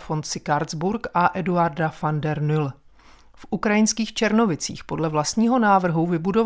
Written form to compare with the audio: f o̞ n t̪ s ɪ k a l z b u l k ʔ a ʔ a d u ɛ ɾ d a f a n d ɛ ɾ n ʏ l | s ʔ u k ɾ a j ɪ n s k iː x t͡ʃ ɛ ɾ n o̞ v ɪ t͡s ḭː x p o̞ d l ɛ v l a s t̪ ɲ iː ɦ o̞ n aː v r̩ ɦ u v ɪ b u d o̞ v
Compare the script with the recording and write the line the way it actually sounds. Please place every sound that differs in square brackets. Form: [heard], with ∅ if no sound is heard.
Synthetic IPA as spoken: f o̞ n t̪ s ɪ k a [ɾ] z b u [ɾ] k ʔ a ʔ [ɛ] d u [a] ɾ d a f a n d ɛ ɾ n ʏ l | [f] ʔ u k ɾ a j ɪ n s k iː x t͡ʃ ɛ ɾ n o̞ v ɪ t͡s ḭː x p o̞ d l ɛ v l a s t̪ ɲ iː ɦ o̞ n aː v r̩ ɦ u v ɪ b u d o̞ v